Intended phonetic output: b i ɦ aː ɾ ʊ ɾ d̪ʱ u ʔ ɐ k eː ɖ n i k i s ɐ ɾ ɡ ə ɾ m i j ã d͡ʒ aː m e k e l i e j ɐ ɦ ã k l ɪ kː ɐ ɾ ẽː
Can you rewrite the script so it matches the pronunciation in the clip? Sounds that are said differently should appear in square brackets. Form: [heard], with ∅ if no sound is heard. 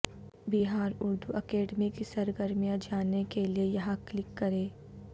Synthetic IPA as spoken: b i ɦ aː ɾ ʊ ɾ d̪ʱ u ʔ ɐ k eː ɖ [m] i k i s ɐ ɾ ɡ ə ɾ m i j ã d͡ʒ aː [n] e k e l i e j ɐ ɦ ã k l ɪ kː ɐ ɾ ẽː